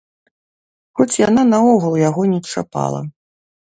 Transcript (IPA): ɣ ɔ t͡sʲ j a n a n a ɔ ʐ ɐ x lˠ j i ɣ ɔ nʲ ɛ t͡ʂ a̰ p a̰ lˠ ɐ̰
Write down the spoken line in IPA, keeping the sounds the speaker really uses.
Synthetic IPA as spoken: x ɔ t͡sʲ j a n a n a ɔ ɣ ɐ lˠ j a ɣ ɔ nʲ ɛ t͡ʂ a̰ p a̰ lˠ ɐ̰